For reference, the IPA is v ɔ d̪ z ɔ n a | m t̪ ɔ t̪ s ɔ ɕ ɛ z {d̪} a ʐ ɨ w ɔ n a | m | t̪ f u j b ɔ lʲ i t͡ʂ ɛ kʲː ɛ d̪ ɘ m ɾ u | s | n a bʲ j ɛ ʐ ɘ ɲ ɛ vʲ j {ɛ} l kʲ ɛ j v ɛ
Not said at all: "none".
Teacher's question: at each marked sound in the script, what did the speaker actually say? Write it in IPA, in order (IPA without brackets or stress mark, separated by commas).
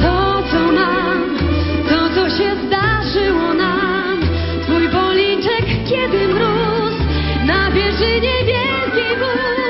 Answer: d̪, ɛ